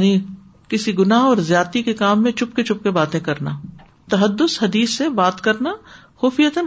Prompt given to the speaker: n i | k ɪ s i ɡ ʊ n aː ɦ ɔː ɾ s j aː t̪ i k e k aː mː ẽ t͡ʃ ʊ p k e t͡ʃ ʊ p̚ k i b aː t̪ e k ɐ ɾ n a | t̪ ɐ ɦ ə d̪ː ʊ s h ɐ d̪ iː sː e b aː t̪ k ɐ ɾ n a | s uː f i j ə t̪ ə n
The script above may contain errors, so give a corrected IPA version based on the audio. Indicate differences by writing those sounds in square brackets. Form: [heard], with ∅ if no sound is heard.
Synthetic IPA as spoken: n i | k ɪ s i ɡ ʊ n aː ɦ ɔː ɾ [z] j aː t̪ i k e k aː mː ẽ t͡ʃ ʊ p k e t͡ʃ ʊ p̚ k [e] b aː t̪ [ẽ] k ɐ ɾ n a | t̪ ɐ ɦ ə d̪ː ʊ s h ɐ d̪ iː sː e b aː t̪ k ɐ ɾ n a | [x] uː f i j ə t̪ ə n